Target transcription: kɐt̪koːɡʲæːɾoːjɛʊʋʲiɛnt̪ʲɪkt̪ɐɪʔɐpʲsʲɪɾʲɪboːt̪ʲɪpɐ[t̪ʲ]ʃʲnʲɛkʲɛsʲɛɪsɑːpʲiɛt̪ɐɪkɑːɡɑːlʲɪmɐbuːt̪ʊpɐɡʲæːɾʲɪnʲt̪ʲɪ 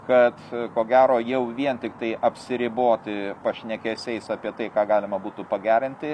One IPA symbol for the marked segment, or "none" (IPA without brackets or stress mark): none